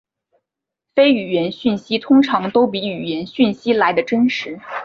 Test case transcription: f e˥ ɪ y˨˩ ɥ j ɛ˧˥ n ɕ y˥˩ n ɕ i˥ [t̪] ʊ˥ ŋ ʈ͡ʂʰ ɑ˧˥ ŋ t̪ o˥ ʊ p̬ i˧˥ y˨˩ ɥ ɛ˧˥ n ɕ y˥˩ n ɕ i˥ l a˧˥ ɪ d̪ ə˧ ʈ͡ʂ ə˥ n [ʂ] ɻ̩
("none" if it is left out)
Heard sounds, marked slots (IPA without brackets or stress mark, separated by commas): t̪ʰ, ʂ